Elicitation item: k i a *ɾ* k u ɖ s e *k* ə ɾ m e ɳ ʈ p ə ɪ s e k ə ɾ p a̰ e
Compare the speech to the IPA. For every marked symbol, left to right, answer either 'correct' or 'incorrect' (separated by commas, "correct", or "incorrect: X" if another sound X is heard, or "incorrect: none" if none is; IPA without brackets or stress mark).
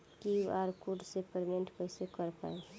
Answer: correct, incorrect: p